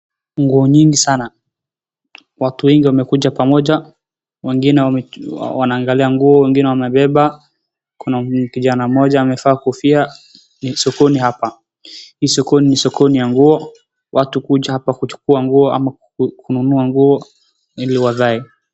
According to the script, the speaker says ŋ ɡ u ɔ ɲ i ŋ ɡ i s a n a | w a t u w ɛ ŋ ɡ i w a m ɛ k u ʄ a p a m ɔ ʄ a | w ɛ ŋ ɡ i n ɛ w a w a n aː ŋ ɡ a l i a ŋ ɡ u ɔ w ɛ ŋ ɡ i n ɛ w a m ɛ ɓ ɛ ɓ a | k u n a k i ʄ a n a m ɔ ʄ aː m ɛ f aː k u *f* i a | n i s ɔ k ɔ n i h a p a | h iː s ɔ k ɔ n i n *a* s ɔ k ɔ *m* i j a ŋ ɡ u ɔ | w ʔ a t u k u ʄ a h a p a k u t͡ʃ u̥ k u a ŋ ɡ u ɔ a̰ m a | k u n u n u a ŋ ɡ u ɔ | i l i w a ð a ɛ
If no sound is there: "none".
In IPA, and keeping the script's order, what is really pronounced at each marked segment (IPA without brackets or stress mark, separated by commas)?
f, i, n